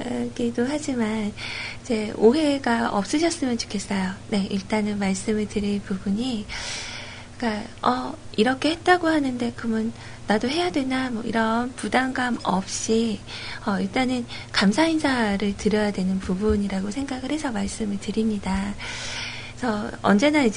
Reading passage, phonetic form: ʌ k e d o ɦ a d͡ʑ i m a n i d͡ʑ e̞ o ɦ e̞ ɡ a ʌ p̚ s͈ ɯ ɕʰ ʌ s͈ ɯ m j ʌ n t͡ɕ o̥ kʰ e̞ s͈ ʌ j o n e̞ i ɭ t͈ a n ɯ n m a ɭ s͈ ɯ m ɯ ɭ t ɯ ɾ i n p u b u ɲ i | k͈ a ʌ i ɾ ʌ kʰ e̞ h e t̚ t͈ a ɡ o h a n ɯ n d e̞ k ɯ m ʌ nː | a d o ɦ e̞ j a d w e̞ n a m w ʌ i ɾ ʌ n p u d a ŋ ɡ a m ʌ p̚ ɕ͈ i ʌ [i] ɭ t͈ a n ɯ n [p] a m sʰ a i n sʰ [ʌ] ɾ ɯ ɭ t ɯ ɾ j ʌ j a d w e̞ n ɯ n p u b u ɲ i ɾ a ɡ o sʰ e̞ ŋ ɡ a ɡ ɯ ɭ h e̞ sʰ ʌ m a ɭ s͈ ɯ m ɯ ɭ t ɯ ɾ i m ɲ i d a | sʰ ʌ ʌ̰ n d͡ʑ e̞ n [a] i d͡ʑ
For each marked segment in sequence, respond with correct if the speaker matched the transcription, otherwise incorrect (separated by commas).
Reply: correct, incorrect, incorrect, correct